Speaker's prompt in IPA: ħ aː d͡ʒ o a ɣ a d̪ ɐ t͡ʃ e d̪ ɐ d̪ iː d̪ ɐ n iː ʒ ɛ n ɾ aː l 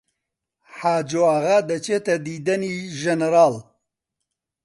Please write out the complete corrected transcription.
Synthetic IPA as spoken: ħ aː d͡ʒ o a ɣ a d̪ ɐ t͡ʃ e t̪ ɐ d̪ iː d̪ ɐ n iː ʒ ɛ n ɾ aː l